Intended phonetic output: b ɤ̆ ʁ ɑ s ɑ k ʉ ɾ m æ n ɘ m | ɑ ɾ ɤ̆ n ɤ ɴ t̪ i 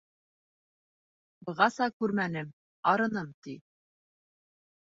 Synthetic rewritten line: b ɤ̆ ʁ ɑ s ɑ k ʉ ɾ m æ n ɘ m | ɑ ɾ ɤ̆ n ɤ m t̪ i